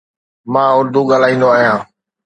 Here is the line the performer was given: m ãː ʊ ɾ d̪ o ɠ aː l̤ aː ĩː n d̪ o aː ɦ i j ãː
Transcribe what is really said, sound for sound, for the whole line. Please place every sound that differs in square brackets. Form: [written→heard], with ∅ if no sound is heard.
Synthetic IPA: m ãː ʊ ɾ d̪ [o→u] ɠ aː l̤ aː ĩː n d̪ o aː ɦ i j ãː